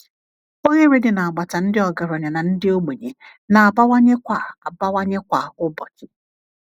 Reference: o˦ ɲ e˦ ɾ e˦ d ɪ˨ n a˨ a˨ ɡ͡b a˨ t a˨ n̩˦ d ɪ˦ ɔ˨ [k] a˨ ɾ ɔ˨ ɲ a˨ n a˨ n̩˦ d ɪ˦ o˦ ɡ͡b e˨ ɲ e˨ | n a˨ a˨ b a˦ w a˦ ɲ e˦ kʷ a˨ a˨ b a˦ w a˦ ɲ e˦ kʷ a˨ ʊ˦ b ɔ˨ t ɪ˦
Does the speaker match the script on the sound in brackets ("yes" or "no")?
no